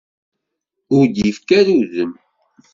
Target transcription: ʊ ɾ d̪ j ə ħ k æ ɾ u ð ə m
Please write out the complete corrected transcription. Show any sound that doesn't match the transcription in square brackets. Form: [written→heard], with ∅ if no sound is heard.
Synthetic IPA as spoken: ʊ ɾ d̪ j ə [ħ→f] k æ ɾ u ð ə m